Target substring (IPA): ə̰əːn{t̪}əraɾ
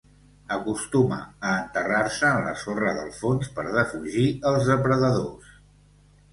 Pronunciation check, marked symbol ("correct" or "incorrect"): correct